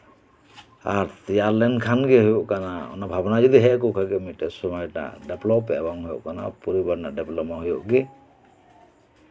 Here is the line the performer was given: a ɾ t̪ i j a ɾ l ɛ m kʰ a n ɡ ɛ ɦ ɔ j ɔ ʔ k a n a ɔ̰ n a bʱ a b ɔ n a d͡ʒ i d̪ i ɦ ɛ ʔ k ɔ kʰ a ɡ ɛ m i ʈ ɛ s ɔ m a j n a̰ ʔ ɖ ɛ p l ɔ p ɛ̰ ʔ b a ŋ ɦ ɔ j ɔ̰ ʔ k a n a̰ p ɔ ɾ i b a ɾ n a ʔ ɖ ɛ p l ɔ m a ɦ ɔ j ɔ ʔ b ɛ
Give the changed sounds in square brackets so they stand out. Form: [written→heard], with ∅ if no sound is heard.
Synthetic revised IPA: a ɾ t̪ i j a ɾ l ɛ [m→n] kʰ a n ɡ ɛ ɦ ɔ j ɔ ʔ k a n a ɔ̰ n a bʱ a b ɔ n a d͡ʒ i d̪ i ɦ ɛ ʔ k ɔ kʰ a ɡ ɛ m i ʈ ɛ s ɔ m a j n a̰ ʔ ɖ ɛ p l ɔ p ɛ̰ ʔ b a ŋ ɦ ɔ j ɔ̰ ʔ k a n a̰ p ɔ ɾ i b a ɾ n a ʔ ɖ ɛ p l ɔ m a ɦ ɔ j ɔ ʔ [b→ɡ] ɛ